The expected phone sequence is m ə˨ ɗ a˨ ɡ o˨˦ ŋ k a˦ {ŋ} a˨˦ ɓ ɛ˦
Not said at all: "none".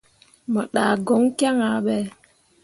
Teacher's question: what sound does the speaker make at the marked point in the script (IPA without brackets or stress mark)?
ŋ